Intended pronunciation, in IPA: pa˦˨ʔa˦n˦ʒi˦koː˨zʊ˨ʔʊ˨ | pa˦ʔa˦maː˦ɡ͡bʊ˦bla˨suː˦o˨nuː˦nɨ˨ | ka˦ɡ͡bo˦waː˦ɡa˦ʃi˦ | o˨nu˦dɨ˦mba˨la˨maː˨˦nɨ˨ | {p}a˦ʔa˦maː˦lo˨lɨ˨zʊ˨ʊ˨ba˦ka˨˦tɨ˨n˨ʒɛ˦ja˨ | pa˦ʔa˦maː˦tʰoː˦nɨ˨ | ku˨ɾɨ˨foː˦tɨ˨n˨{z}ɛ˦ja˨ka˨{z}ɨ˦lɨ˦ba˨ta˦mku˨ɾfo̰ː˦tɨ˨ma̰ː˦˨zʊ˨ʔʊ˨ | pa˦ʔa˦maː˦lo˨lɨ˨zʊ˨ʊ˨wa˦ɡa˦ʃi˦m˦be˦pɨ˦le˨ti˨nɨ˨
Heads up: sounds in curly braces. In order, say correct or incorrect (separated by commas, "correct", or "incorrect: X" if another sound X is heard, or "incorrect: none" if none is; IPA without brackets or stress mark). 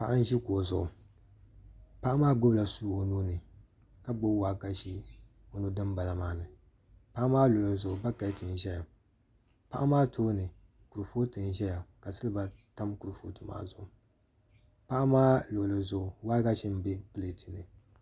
correct, incorrect: ʒ, incorrect: s